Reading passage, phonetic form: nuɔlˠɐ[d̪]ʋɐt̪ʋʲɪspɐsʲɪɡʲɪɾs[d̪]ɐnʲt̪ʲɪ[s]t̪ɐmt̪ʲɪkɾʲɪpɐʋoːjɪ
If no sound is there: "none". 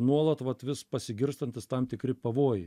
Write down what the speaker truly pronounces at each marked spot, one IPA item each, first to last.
t̪, t̪, s

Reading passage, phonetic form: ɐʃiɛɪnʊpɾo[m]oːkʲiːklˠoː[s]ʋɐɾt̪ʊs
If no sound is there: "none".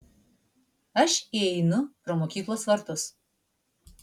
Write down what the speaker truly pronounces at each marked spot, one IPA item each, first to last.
m, s

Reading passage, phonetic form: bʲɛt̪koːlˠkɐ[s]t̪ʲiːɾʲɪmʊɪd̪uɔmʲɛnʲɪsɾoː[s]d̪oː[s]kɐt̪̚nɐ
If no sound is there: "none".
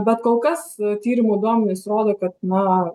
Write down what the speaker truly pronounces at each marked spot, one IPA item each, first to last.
s, none, none

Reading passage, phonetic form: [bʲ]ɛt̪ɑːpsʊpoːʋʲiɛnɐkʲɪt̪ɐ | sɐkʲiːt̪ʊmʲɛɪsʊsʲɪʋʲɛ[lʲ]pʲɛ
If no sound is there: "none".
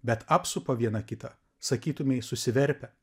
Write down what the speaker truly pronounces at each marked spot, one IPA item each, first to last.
bʲ, ɾʲ

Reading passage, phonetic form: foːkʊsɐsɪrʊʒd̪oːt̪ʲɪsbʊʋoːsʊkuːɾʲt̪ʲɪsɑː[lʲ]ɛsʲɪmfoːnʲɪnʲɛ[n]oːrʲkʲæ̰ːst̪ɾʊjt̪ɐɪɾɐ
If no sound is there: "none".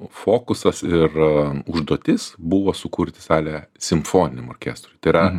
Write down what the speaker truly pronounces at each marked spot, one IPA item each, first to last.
lʲ, m

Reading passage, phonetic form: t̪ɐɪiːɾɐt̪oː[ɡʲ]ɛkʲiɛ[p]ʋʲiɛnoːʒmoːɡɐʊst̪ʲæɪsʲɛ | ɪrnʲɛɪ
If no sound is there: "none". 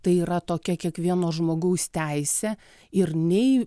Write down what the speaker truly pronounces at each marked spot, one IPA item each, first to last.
kʲ, k

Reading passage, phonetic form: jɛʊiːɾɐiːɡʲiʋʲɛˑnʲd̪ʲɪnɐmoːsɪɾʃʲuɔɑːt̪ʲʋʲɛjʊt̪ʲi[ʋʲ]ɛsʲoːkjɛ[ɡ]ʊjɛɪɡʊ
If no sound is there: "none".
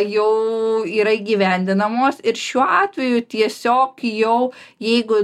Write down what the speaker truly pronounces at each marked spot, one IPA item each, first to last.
none, none

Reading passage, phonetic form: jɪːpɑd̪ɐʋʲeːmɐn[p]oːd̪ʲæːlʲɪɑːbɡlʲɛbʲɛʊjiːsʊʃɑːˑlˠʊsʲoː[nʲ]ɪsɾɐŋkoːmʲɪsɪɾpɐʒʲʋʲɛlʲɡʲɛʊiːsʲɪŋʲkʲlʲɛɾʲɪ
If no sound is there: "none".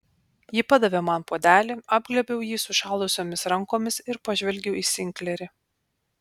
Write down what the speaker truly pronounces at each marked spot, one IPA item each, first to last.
p, mʲ

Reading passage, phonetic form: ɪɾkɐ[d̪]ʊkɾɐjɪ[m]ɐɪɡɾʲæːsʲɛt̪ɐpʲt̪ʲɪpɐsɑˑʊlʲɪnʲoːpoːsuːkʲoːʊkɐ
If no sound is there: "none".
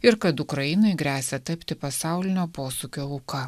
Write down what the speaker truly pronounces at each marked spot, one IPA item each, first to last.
t̪, n

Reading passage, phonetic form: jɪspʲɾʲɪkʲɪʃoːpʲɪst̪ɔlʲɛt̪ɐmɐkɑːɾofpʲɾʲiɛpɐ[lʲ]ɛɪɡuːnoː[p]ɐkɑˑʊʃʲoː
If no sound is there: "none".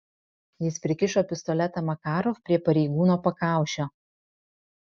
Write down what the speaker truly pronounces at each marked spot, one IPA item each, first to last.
ɾʲ, p

